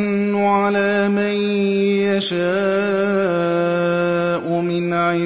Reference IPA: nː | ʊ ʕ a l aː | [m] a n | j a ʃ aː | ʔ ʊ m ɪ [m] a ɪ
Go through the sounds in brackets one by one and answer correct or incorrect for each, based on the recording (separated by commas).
correct, incorrect